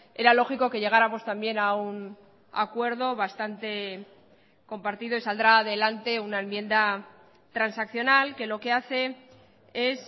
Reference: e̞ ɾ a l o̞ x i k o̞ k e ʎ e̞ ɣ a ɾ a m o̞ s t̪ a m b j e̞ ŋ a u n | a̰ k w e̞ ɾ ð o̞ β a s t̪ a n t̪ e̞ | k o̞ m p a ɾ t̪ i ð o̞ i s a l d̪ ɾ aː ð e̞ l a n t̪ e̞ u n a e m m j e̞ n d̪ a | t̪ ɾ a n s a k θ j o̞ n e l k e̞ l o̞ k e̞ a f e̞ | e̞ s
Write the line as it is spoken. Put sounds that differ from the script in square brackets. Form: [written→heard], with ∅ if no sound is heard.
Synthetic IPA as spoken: e̞ ɾ a l o̞ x i k o̞ k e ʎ e̞ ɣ a ɾ a m o̞ s t̪ a m b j e̞ [ŋ→n] a u n | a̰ k w e̞ ɾ ð o̞ β a s t̪ a n t̪ e̞ | k o̞ m p a ɾ t̪ i ð o̞ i s a l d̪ ɾ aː ð e̞ l a n t̪ e̞ u n a e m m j e̞ n d̪ a | t̪ ɾ a n s a k θ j o̞ n [e→a] l k e̞ l o̞ k e̞ a [f→θ] e̞ | e̞ s

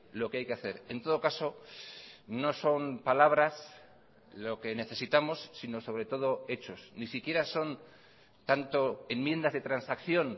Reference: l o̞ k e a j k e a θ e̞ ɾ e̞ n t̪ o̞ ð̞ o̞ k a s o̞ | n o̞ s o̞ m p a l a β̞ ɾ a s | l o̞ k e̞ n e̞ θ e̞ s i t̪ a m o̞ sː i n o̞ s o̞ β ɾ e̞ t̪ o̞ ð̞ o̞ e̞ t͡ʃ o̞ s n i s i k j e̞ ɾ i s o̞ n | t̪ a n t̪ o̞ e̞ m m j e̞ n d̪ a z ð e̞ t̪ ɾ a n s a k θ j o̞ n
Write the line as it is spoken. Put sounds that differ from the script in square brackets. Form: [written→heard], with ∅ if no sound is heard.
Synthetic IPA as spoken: l o̞ k e a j k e a θ e̞ ɾ e̞ n t̪ o̞ ð̞ o̞ k a s o̞ | n o̞ s o̞ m p a l a β̞ ɾ a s | l o̞ k e̞ n e̞ θ e̞ s i t̪ a m o̞ sː i n o̞ s o̞ β ɾ e̞ t̪ o̞ ð̞ o̞ e̞ t͡ʃ o̞ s n i s i k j e̞ ɾ [i→a] s o̞ n | t̪ a n t̪ o̞ e̞ m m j e̞ n d̪ a z ð e̞ t̪ ɾ a n s a k θ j o̞ n

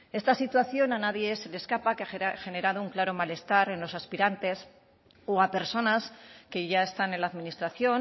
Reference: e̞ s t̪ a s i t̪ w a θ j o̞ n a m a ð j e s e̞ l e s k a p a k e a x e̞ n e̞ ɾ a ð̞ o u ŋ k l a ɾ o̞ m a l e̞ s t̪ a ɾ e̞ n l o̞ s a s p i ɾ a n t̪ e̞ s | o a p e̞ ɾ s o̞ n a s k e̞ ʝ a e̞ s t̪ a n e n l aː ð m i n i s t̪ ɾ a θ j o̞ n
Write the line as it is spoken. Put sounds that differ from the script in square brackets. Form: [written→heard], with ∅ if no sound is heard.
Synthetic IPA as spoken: e̞ s t̪ a s i t̪ w a θ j o̞ n a [m→n] a ð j e s e̞ l e s k a p a k e a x e̞ n e̞ ɾ a ð̞ o u ŋ k l a ɾ o̞ m a l e̞ s t̪ a ɾ e̞ n l o̞ s a s p i ɾ a n t̪ e̞ s | o a p e̞ ɾ s o̞ n a s k e̞ ʝ a e̞ s t̪ a n e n l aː ð m i n i s t̪ ɾ a θ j o̞ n

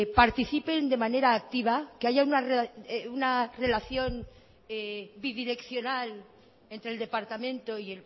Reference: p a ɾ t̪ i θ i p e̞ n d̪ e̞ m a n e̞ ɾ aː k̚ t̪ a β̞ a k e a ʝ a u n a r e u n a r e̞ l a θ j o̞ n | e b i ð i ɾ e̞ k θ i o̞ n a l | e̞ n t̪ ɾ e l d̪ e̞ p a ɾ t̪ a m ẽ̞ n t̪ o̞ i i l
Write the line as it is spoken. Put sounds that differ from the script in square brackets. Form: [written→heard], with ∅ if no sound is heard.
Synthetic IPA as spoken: p a ɾ t̪ i θ i p e̞ n d̪ e̞ m a n e̞ ɾ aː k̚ t̪ [a→i] β̞ a k e a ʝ a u n a r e u n a r e̞ l a θ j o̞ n | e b i ð i ɾ e̞ k θ [i→j] o̞ n a l | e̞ n t̪ ɾ e l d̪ e̞ p a ɾ t̪ a m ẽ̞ n t̪ o̞ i [i→e] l

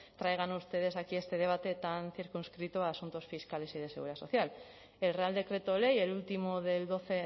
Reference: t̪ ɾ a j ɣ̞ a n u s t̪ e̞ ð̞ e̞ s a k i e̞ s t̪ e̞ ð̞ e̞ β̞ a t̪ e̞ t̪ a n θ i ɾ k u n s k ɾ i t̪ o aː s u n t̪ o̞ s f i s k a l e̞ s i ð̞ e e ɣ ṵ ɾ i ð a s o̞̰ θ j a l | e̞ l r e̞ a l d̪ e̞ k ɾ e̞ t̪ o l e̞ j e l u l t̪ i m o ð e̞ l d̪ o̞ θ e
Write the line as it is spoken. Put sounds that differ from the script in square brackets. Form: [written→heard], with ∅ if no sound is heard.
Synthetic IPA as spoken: t̪ ɾ a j ɣ̞ a n u s t̪ e̞ ð̞ e̞ s a k i e̞ s t̪ e̞ ð̞ e̞ β̞ a t̪ e̞ t̪ a n θ i ɾ k u n s k ɾ i t̪ o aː s u n t̪ o̞ s f i s k a l e̞ s i ð̞ e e ɣ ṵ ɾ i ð a s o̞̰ θ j a l | e̞ l r e̞ a l d̪ e̞ k ɾ e̞ t̪ o l e̞ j e l u l t̪ i m o ð e̞ l d̪ o̞ θ e

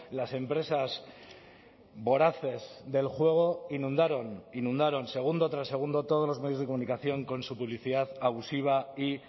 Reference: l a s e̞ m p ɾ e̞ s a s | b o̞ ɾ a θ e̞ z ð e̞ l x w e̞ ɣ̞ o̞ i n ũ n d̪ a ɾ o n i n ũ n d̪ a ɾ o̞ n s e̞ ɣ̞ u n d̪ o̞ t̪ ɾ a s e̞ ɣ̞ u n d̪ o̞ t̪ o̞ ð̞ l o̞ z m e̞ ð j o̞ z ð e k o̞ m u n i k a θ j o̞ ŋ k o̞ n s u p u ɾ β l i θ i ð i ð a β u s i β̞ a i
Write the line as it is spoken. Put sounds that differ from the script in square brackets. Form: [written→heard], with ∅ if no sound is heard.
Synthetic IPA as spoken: l a s e̞ m p ɾ e̞ s a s | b o̞ ɾ a θ e̞ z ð e̞ l x w e̞ ɣ̞ o̞ i n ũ n d̪ a ɾ o n i n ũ n d̪ a ɾ o̞ n s e̞ ɣ̞ u n d̪ o̞ t̪ ɾ a s e̞ ɣ̞ u n d̪ o̞ t̪ o̞ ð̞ l o̞ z m e̞ ð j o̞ z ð e k o̞ m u n i k a θ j o̞ ŋ k o̞ n s u p u [ɾ→∅] β l i θ i ð [i→a] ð a β u s i β̞ a i

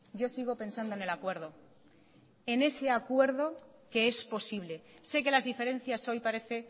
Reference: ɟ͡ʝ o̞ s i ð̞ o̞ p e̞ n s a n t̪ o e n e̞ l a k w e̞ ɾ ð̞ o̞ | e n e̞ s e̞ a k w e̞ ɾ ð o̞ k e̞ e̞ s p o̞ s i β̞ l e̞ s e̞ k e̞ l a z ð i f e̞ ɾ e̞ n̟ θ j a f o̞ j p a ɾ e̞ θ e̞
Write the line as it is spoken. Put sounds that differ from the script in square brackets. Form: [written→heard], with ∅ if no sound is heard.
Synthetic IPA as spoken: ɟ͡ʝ o̞ s i [ð̞→ɣ̞] o̞ p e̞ n s a n [t̪→d̪] o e n e̞ l a k w e̞ ɾ ð̞ o̞ | e n e̞ s e̞ a k w e̞ ɾ ð o̞ k e̞ e̞ s p o̞ s i β̞ l e̞ s e̞ k e̞ l a z ð i f e̞ ɾ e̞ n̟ θ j a [f→s] o̞ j p a ɾ e̞ θ e̞

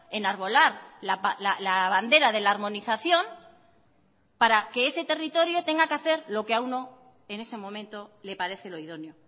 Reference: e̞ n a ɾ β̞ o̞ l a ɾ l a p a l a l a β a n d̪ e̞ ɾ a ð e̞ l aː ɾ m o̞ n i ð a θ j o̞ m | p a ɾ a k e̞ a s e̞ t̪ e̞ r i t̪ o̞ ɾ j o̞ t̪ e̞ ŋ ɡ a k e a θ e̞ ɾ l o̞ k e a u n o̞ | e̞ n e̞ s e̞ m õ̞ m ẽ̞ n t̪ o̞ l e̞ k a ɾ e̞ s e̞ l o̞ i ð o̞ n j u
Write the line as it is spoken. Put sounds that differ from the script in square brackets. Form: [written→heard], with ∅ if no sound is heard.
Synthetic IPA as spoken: e̞ n a ɾ β̞ o̞ l a ɾ l a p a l a l a β a n d̪ e̞ ɾ a ð e̞ l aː ɾ m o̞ n i [ð→θ] a θ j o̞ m | p a ɾ a k e̞ [a→e] s e̞ t̪ e̞ r i t̪ o̞ ɾ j o̞ t̪ e̞ ŋ ɡ a k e a θ e̞ ɾ l o̞ k e a u n o̞ | e̞ n e̞ s e̞ m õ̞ m ẽ̞ n t̪ o̞ l e̞ [k→p] a ɾ e̞ [s→θ] e̞ l o̞ i ð o̞ n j [u→o]

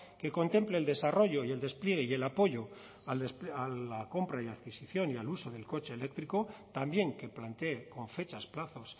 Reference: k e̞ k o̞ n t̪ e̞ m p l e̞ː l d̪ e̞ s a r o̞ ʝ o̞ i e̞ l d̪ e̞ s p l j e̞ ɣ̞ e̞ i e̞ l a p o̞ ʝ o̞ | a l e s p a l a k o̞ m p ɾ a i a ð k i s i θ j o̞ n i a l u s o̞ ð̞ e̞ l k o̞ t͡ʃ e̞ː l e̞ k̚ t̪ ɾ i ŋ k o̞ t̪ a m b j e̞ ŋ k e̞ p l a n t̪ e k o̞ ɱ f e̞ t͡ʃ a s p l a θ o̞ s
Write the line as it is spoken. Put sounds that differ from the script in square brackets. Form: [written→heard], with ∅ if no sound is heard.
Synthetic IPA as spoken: k e̞ k o̞ n t̪ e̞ m p l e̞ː l d̪ e̞ s a r o̞ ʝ o̞ i e̞ l d̪ e̞ s p l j e̞ ɣ̞ e̞ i e̞ l a p o̞ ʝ o̞ | a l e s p a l a k o̞ m p ɾ a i a ð k i s i θ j o̞ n i a l u s o̞ ð̞ e̞ l k o̞ t͡ʃ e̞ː l e̞ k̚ t̪ ɾ i [ŋ→∅] k o̞ t̪ a m b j e̞ ŋ k e̞ p l a n t̪ e k o̞ ɱ f e̞ t͡ʃ a s p l a θ o̞ s

